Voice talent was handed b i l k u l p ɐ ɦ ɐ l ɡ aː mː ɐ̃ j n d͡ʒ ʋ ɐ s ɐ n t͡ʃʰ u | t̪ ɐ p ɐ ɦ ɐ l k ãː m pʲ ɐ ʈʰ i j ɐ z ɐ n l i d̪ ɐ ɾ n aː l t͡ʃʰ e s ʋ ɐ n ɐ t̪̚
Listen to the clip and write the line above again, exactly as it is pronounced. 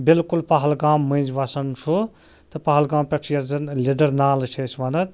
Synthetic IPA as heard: b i l k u l p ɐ ɦ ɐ l ɡ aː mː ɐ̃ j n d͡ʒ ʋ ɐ s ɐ n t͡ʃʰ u | t̪ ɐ p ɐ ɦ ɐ l ɡ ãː m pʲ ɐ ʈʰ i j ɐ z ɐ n l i d̪ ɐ ɾ n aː l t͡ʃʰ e s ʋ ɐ n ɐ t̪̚